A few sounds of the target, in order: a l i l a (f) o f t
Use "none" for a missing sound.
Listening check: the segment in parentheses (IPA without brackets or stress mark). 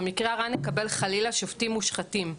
ʃ